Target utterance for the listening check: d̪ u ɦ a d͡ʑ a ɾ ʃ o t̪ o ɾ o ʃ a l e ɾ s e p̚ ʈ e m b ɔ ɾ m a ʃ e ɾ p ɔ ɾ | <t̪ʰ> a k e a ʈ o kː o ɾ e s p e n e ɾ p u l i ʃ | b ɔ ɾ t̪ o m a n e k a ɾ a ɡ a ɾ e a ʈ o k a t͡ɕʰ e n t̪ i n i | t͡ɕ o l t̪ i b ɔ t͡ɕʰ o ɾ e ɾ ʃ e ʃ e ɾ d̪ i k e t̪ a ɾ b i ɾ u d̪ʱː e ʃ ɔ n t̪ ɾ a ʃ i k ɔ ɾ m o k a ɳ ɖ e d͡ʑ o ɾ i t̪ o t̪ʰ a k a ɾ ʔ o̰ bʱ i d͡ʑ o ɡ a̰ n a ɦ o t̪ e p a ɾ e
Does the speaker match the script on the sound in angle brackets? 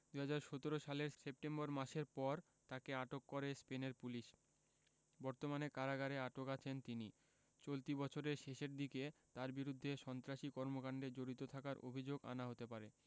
no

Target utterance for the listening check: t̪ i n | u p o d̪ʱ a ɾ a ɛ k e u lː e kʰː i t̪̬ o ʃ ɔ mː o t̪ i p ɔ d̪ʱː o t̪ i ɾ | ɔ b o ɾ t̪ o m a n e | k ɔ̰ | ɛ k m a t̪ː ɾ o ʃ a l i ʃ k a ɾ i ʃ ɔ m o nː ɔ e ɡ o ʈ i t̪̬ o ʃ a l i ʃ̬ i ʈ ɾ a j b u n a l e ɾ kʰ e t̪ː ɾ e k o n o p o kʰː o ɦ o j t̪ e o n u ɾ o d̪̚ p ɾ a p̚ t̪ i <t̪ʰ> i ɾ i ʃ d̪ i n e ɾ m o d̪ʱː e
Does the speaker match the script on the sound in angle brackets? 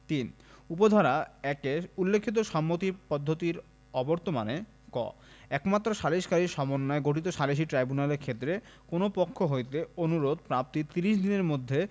no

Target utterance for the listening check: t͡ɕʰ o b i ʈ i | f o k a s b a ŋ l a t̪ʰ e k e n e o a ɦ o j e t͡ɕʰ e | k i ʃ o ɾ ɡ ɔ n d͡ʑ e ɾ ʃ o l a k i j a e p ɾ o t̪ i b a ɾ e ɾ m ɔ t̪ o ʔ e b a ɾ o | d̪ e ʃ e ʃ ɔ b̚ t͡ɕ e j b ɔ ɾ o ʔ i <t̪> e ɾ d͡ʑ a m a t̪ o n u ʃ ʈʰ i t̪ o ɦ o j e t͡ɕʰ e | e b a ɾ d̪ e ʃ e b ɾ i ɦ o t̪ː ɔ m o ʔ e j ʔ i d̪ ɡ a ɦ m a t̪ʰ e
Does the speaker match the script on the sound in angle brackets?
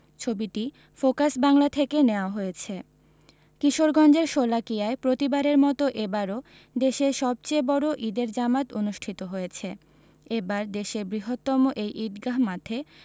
no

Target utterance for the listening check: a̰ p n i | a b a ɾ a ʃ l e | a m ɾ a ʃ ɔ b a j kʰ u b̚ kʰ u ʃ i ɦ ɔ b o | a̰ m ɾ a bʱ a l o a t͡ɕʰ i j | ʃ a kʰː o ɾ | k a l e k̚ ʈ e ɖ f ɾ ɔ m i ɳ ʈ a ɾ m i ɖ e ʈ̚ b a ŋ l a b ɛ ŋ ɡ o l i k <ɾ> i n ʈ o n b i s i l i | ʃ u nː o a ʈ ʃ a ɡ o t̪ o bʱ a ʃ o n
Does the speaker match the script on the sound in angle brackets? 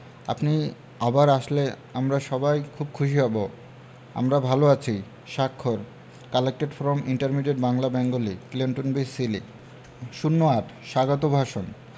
no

